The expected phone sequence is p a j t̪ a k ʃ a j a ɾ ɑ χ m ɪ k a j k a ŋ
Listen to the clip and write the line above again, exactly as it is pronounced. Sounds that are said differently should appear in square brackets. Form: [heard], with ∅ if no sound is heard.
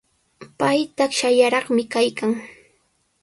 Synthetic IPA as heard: p a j t̪ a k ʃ a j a ɾ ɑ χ m ɪ k a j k a ŋ